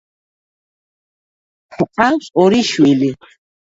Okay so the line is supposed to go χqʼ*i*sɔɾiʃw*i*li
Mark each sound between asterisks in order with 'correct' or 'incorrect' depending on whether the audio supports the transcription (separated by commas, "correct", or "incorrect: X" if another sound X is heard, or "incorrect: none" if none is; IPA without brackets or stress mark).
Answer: incorrect: a, correct